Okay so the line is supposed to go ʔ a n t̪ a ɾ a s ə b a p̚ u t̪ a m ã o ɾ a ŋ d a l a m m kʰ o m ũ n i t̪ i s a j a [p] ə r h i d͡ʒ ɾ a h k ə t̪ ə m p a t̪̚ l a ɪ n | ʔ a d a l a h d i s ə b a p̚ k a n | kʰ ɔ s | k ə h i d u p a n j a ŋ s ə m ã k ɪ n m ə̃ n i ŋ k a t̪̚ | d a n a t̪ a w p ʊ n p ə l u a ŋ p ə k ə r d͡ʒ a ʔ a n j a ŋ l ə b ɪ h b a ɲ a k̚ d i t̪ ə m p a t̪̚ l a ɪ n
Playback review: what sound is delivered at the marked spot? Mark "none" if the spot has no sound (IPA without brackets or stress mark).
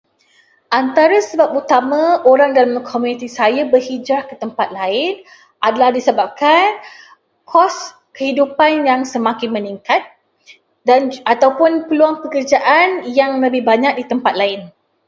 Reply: b